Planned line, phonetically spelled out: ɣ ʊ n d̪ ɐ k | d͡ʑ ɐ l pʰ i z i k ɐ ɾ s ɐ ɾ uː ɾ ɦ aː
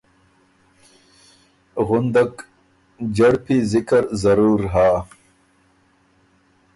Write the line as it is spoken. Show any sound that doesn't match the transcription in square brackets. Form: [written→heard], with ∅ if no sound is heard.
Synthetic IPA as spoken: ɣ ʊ n d̪ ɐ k | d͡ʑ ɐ [l→ɽ] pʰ i z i k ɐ ɾ [s→z] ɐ ɾ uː ɾ ɦ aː